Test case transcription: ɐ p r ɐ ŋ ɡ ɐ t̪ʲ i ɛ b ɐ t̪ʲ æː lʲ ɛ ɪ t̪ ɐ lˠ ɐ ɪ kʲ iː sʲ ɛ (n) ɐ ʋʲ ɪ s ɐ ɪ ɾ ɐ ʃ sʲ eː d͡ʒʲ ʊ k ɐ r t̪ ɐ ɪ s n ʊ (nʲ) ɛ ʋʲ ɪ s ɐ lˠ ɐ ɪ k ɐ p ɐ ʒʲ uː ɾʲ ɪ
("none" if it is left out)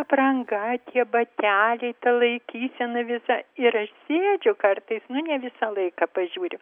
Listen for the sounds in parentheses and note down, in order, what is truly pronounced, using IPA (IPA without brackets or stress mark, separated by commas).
n, nʲ